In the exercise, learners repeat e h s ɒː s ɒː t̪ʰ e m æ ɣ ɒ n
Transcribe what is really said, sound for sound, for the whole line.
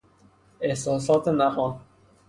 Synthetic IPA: e h s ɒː s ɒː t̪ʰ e n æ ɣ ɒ n